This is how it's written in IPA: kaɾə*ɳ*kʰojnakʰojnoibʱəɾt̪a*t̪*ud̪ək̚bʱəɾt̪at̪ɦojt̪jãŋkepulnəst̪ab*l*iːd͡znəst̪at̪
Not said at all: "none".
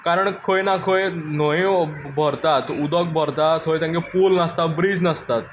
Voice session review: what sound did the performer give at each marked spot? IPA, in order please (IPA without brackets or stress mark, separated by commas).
ɳ, t̪, ɾ